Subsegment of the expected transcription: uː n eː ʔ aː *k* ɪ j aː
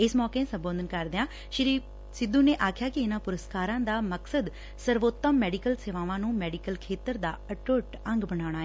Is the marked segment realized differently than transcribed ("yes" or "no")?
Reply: yes